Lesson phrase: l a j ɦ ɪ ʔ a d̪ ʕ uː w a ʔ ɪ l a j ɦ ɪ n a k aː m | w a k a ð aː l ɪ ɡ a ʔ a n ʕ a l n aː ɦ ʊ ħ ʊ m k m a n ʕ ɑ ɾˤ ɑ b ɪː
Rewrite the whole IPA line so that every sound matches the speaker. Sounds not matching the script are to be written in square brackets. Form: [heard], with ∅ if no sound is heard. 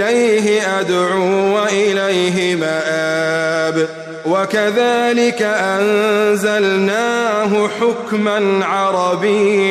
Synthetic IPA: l a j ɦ ɪ ʔ a d̪ ʕ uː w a ʔ ɪ l a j ɦ ɪ [m] a [ʔ] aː [b] | w a k a ð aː l ɪ [k] a ʔ a n [z] a l n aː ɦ ʊ ħ ʊ [∅] k m a n ʕ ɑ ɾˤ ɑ b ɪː